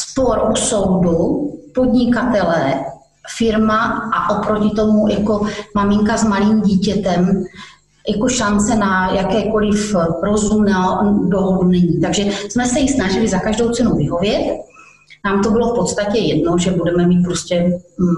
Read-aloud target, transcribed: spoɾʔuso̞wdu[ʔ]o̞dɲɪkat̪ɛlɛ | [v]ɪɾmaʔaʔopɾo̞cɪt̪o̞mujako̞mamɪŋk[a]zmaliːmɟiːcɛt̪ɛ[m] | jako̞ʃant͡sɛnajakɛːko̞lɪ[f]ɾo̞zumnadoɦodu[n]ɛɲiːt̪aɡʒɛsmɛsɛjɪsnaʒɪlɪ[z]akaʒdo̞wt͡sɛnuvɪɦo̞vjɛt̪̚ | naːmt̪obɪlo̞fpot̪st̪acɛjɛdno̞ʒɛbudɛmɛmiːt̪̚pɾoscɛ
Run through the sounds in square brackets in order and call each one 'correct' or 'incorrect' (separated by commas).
incorrect, incorrect, correct, correct, correct, correct, correct